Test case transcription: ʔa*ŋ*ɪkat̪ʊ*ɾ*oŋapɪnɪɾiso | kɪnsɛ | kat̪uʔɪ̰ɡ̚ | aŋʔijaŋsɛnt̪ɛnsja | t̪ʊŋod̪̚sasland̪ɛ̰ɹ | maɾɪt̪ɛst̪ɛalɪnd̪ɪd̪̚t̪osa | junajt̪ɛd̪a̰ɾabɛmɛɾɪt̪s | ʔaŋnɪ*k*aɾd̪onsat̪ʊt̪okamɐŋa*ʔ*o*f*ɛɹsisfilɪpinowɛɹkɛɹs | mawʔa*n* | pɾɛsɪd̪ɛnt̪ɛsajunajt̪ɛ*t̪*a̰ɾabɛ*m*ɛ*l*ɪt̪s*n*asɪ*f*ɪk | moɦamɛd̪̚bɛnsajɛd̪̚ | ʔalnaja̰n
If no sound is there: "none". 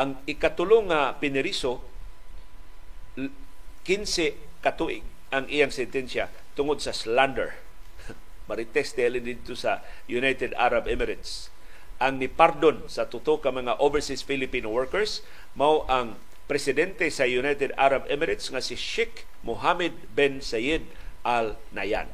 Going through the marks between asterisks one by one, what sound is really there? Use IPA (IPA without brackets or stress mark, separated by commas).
ŋ, l, p, ʔ, v, ŋ, d̪, m, ɾ, ŋ, ʃ